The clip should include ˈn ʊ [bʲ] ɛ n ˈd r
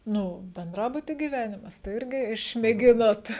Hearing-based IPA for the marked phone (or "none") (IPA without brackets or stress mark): bʲ